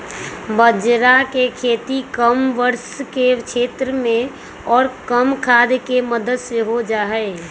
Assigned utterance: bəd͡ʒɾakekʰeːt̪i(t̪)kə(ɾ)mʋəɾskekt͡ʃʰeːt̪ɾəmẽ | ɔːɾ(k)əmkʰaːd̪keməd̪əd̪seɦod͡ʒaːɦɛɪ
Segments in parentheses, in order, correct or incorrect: incorrect, incorrect, correct

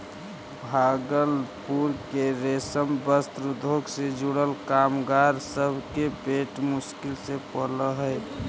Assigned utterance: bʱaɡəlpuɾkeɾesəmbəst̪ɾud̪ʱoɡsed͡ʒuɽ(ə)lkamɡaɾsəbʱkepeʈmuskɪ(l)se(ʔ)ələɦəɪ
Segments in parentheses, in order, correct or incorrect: correct, correct, incorrect

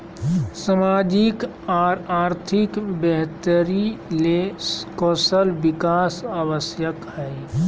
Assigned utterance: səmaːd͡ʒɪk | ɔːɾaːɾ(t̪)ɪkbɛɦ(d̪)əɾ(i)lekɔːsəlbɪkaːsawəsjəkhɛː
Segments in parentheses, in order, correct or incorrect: incorrect, incorrect, correct

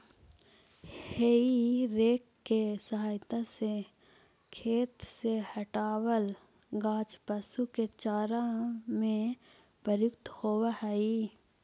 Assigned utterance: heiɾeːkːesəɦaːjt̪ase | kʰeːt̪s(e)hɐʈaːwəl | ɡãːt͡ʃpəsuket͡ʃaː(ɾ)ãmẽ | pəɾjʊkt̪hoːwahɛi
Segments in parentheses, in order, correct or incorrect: correct, correct

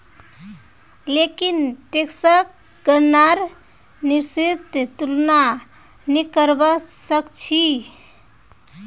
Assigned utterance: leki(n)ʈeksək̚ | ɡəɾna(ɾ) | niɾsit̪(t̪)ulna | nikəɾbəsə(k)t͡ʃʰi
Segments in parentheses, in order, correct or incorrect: correct, correct, correct, correct

